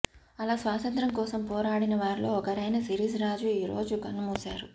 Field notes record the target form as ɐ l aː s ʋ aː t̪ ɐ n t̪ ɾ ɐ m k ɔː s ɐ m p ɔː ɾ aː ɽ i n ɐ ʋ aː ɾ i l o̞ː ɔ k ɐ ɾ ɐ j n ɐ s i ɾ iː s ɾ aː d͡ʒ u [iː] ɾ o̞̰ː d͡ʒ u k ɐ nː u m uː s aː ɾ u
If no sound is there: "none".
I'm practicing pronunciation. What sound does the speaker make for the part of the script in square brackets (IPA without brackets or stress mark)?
iː